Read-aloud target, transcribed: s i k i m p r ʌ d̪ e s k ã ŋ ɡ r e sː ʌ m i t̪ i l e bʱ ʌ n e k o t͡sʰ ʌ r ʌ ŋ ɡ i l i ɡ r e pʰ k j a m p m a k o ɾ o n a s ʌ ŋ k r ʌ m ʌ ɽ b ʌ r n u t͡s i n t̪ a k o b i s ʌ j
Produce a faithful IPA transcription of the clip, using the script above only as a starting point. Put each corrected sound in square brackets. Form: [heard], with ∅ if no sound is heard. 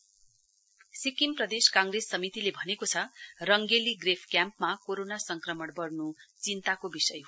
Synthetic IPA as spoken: s i k i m p r ʌ d̪ e s k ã ŋ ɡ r e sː ʌ m i t̪ i l e bʱ ʌ n e k o t͡sʰ ʌ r ʌ ŋ ɡ [e] l i ɡ r e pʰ k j a m p m a k o ɾ o n a s ʌ ŋ k r ʌ m ʌ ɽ b ʌ r n u t͡s i n t̪ a k o b i s ʌ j